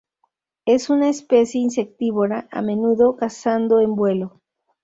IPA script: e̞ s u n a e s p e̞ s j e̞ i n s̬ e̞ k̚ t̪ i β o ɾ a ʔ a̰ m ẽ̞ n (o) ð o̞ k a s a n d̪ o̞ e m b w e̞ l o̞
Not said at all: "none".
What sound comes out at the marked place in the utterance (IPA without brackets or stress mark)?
u